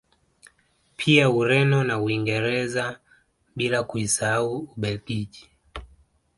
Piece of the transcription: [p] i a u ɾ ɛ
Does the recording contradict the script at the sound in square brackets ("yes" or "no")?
yes